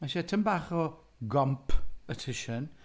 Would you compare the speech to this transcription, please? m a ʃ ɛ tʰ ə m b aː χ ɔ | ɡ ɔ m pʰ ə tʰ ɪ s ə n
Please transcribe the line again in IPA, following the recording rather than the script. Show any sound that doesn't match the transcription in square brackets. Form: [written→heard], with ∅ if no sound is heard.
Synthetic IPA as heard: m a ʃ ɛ tʰ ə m b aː χ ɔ | ɡ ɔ m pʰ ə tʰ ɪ [s→ʃ] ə n